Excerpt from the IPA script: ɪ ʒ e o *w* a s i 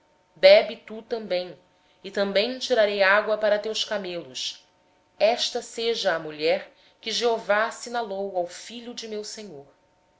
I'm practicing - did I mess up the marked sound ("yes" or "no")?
yes